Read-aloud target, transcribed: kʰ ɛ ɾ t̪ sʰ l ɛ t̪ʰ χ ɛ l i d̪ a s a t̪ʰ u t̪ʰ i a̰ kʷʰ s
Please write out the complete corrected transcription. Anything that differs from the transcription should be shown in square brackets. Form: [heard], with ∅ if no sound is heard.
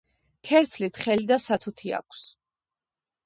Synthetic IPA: kʰ ɛ ɾ t̪ sʰ l [i] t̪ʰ χ ɛ l i d̪ a s a t̪ʰ u t̪ʰ i a̰ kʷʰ s